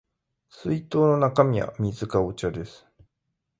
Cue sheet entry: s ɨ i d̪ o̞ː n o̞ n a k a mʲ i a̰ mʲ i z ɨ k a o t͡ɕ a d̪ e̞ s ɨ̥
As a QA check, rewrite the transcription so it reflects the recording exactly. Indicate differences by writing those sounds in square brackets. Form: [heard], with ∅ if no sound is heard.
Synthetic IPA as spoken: s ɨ i [t̪] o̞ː n o̞ n a k a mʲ i a̰ mʲ i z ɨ k a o t͡ɕ a d̪ e̞ s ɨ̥